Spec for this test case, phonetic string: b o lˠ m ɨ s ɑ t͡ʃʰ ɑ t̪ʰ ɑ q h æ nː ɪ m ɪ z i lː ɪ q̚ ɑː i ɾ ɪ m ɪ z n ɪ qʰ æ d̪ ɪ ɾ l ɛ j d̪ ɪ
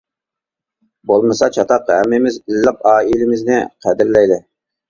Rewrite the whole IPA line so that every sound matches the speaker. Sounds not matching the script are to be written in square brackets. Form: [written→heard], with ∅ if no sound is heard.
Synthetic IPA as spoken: b o lˠ m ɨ s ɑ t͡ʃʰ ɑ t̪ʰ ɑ q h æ [nː→mː] ɪ m ɪ z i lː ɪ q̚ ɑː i [ɾ→l] ɪ m ɪ z n ɪ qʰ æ d̪ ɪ ɾ l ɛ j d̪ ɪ